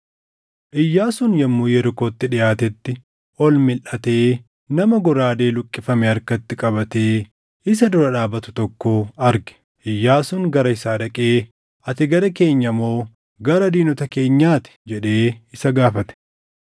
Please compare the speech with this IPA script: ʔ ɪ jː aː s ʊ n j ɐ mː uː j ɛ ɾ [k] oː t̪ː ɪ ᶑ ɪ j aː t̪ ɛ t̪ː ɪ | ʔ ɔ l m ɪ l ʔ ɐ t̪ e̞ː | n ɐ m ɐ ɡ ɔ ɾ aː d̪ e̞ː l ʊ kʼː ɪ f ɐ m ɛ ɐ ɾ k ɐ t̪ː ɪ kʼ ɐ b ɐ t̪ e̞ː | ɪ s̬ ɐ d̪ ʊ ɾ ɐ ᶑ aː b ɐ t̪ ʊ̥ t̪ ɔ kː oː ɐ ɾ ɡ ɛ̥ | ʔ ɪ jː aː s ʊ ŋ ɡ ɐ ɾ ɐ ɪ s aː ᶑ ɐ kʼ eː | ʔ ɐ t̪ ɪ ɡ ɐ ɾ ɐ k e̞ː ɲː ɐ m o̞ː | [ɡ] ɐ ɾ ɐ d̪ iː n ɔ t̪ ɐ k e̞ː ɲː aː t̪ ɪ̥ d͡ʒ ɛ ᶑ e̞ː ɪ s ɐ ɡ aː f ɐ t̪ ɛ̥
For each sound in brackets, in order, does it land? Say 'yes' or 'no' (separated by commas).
yes, yes